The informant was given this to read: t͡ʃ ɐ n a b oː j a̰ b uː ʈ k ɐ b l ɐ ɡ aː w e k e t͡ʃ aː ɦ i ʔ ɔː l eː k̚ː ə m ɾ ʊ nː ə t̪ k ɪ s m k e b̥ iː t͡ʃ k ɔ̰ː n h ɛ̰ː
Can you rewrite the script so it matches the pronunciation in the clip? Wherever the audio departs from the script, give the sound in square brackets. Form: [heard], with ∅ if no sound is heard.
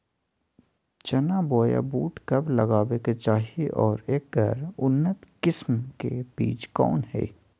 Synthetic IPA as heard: t͡ʃ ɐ n a b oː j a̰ b uː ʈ k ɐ b l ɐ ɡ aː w e k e t͡ʃ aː ɦ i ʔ ɔː [ɾ] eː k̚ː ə [∅] ɾ ʊ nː ə t̪ k ɪ s m k e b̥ iː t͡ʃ k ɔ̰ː n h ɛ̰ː